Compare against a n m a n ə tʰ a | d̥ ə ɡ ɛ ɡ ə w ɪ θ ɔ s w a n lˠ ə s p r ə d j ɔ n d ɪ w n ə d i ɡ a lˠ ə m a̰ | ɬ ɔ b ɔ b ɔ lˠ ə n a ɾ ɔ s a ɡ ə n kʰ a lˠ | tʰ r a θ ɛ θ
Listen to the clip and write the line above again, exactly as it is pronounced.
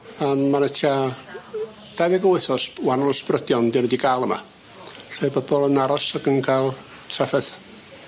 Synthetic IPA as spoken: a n m a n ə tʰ a | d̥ a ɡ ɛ ɡ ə w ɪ θ ɔ s w a n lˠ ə s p r ə d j ɔ n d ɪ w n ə d i ɡ a lˠ ə m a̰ | ɬ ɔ b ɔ b ɔ lˠ ə n a ɾ ɔ s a ɡ ə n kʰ a lˠ | tʰ r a f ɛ θ